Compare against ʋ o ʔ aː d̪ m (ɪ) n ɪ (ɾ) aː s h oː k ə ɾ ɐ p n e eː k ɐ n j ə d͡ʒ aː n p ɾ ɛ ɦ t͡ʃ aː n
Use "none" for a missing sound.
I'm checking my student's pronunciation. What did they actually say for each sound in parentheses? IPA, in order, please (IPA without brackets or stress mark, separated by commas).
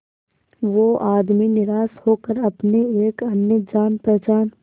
i, ɾ